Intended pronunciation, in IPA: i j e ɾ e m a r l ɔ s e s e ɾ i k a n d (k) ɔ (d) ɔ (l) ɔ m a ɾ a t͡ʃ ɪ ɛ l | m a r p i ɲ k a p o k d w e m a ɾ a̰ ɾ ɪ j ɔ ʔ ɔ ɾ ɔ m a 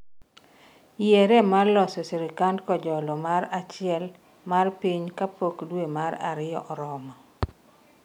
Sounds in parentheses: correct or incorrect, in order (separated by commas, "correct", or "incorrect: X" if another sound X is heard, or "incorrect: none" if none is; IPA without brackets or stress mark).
correct, incorrect: d͡ʒ, correct